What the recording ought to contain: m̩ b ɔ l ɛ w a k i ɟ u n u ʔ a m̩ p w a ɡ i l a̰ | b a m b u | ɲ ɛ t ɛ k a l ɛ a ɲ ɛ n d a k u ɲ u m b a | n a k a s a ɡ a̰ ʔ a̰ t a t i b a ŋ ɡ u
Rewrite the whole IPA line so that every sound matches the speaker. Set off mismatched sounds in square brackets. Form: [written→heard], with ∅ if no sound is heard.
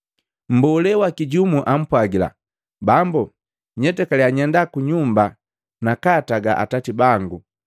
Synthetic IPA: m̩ b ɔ l ɛ w a k i ɟ u [n→m] u ʔ a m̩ p w a ɡ i l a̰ | b a m b u | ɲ ɛ t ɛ k a l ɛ a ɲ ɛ n d a k u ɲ u m b a | n a k a [s→t] a ɡ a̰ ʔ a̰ t a t i b a ŋ ɡ u